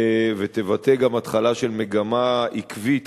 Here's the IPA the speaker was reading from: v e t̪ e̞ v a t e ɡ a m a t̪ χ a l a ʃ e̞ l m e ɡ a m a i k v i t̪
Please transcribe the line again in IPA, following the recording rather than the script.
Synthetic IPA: v e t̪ e̞ v a t e ɡ a m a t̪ χ a l a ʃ e̞ l m e ɡ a m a i k v i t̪